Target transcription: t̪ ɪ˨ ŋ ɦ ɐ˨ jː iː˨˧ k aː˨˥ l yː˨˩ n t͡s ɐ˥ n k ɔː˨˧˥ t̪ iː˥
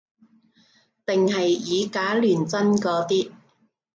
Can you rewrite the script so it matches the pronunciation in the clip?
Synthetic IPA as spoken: t̪ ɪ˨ ŋ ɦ ɐ˨ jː iː˨˧ k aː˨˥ l yː˨˩ n t͡s ɐ˥ n k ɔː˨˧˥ t̪ iː˥